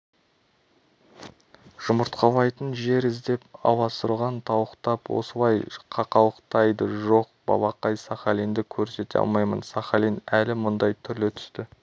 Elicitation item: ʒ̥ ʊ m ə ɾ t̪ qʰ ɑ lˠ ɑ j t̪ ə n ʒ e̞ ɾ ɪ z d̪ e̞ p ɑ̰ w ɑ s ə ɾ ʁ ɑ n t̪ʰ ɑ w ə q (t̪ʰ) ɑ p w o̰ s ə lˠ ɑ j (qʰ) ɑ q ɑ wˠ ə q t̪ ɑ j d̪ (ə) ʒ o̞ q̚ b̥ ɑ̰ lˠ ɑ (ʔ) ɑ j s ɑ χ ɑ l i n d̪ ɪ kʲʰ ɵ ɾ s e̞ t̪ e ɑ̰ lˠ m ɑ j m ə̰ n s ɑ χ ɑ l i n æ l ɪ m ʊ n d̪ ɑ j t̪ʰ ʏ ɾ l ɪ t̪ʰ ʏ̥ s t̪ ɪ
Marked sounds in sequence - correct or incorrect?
incorrect: t̪, correct, correct, incorrect: q

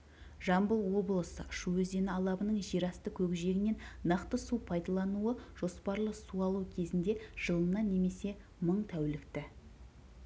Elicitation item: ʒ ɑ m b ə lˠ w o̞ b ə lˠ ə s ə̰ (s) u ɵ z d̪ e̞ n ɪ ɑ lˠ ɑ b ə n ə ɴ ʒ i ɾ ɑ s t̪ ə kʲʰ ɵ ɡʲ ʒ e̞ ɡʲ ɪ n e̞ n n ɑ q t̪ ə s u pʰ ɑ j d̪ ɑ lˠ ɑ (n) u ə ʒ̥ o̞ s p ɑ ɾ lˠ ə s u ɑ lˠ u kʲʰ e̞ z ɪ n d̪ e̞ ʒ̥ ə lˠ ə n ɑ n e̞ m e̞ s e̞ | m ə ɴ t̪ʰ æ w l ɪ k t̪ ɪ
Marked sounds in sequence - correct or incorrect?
incorrect: ʃ, correct

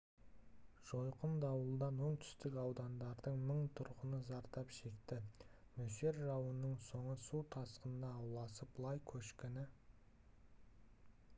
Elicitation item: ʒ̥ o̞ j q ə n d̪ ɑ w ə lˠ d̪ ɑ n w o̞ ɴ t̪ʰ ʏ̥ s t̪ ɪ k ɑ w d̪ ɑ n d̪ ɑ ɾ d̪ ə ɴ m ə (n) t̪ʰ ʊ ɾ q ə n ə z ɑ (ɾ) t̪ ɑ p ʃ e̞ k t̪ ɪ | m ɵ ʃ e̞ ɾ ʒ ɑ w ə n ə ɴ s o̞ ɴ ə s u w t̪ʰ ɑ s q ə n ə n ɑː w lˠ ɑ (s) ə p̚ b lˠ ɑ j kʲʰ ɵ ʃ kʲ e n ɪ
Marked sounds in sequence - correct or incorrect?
incorrect: ɴ, correct, correct

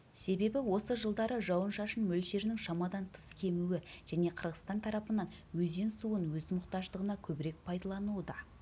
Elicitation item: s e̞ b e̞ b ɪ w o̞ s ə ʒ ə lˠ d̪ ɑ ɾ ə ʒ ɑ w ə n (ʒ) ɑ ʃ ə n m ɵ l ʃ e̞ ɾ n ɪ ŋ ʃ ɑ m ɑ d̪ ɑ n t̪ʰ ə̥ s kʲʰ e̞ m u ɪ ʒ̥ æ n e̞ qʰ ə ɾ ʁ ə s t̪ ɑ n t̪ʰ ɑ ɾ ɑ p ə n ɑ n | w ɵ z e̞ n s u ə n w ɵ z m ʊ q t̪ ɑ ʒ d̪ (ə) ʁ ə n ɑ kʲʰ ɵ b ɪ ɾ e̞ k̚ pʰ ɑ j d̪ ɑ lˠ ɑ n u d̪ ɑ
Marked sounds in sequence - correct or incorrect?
incorrect: ʃ, correct

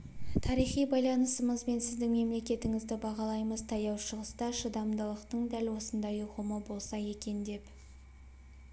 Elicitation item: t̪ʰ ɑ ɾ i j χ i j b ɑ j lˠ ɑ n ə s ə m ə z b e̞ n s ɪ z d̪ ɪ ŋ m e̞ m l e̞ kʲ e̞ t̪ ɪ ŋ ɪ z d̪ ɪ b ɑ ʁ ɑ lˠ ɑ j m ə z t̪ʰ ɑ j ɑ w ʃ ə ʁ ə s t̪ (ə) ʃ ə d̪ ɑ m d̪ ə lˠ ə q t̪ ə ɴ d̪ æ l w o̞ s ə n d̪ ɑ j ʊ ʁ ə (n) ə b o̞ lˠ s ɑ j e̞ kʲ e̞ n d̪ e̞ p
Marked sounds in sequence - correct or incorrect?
incorrect: ɑ, incorrect: m

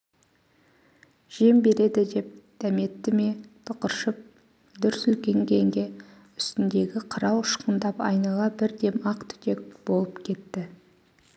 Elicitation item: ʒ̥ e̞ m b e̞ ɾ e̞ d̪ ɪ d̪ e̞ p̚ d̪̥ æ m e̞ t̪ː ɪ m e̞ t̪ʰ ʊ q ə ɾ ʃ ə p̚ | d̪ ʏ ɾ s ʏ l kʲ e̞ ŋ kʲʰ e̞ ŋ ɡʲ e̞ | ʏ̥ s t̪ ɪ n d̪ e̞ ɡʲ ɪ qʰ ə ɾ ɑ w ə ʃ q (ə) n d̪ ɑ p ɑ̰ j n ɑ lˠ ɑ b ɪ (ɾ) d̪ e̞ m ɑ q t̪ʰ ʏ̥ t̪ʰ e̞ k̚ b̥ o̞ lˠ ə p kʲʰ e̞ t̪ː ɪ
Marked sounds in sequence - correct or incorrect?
correct, correct

